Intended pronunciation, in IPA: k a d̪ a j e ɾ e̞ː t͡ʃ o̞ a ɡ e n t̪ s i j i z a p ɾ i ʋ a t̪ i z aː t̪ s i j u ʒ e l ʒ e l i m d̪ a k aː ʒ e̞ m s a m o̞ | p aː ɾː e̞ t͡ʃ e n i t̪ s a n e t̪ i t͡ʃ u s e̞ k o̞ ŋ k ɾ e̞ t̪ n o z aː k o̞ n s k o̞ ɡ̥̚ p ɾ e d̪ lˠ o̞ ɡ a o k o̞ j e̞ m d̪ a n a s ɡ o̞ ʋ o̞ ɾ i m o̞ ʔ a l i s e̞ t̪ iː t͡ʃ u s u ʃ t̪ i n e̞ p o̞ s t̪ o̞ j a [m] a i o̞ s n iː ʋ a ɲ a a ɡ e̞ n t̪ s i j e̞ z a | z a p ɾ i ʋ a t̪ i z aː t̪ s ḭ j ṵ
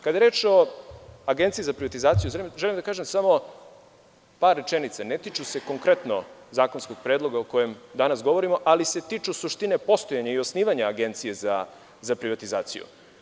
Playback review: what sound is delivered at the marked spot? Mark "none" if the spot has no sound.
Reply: ɲ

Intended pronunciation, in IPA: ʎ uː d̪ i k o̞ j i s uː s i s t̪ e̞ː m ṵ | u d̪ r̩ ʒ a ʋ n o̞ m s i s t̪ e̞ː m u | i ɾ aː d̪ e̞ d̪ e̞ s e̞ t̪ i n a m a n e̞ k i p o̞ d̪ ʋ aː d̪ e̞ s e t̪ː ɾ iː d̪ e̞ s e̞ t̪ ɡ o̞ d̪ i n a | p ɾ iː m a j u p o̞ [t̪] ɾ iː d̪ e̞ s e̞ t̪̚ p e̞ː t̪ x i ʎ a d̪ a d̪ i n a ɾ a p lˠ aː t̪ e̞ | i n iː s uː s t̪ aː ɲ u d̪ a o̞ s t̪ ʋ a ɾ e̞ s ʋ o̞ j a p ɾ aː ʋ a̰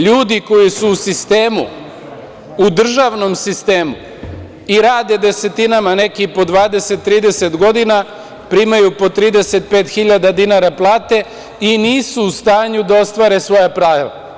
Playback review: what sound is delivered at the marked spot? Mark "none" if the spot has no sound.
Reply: t̪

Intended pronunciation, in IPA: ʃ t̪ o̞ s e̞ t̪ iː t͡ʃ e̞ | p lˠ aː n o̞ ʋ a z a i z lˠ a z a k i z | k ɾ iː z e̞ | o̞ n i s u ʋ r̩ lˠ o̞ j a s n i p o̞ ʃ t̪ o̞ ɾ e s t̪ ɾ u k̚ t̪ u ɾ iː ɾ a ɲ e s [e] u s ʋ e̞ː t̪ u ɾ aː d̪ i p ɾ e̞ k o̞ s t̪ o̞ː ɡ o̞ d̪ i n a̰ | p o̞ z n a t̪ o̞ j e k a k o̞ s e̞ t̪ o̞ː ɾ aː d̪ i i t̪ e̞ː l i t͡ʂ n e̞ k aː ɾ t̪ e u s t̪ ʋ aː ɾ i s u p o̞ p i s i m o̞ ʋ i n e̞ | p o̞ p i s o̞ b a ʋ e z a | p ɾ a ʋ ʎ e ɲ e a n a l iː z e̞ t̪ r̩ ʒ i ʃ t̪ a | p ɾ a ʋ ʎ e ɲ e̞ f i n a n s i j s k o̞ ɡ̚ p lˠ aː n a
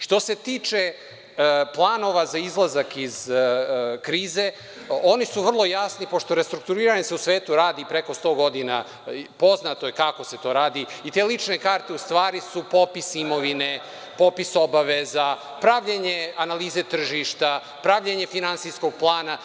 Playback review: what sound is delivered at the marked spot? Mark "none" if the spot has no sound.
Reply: e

